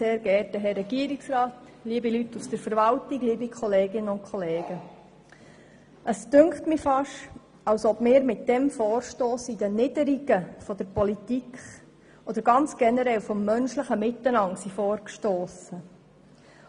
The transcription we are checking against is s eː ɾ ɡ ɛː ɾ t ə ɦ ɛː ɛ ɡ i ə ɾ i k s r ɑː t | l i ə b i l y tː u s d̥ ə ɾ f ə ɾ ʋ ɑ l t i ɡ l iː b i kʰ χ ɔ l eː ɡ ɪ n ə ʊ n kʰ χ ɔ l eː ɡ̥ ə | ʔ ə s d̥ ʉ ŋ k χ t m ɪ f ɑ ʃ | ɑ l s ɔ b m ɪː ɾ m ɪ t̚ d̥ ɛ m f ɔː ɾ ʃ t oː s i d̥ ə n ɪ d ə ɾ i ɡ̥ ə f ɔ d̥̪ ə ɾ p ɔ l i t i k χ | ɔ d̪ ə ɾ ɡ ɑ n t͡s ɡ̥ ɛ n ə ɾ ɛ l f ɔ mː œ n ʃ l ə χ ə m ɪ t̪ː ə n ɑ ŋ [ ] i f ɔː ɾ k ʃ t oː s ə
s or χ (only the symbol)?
s